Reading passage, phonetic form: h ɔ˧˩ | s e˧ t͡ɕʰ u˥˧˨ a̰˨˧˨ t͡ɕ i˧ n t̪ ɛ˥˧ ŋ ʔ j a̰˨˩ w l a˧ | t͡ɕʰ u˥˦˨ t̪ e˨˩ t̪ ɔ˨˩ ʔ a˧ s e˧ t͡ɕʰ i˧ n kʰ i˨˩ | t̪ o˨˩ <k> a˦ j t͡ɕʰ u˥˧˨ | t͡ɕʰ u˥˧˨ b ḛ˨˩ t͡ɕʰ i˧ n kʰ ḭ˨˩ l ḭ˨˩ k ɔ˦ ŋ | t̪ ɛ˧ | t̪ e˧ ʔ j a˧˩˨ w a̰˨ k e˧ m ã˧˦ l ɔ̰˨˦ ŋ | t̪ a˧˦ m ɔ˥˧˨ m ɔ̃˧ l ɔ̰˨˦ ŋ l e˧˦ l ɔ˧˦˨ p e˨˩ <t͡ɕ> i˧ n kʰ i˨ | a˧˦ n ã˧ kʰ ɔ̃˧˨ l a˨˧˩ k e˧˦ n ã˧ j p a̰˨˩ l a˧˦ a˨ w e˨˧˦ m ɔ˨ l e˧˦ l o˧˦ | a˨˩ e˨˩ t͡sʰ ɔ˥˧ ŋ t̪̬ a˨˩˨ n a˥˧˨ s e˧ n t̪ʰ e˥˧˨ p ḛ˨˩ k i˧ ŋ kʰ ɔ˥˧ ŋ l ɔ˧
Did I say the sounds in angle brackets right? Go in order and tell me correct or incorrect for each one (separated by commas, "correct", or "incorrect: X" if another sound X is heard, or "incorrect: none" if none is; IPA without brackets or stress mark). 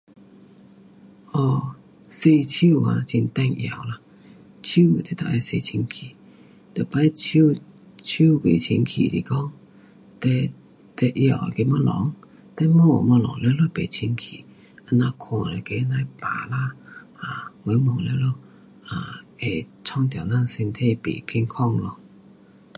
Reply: incorrect: p, incorrect: t͡ɕʰ